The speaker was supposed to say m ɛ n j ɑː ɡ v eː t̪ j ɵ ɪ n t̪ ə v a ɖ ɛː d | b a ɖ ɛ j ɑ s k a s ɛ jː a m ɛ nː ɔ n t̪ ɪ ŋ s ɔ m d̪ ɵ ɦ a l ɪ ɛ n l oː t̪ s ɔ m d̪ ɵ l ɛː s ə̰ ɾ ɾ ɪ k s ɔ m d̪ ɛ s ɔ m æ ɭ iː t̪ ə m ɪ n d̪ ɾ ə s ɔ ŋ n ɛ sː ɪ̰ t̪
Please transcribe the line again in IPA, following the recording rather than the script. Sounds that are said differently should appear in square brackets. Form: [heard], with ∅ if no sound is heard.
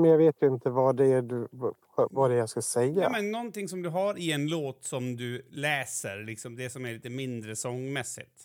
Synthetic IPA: m ɛ n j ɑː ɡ v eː t̪ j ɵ ɪ n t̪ ə v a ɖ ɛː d | [v] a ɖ ɛ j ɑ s k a s ɛ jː a m ɛ nː ɔ n t̪ ɪ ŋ s ɔ m d̪ ɵ ɦ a [ɾ] ɪ ɛ n l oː t̪ s ɔ m d̪ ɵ l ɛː s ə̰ ɾ [l] ɪ k s ɔ m d̪ ɛ s ɔ m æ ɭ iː t̪ ə m ɪ n d̪ ɾ ə s ɔ ŋ [m] ɛ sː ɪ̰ t̪